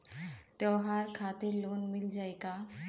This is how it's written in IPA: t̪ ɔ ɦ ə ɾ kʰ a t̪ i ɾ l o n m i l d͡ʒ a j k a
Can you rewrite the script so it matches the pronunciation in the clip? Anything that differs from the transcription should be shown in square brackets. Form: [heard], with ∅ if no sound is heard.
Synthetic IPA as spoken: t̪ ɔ ɦ [a] ɾ kʰ a t̪ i ɾ l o n m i l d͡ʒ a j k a